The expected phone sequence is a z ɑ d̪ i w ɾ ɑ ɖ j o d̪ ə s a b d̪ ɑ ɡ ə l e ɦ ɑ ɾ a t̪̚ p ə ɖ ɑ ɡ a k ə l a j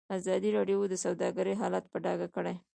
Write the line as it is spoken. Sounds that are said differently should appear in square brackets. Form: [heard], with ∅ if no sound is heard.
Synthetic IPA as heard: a z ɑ d̪ i [∅] ɾ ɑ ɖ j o d̪ ə s a [w] d̪ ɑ ɡ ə [ɾ] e ɦ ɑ [l] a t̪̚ p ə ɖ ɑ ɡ a k ə [ɽ] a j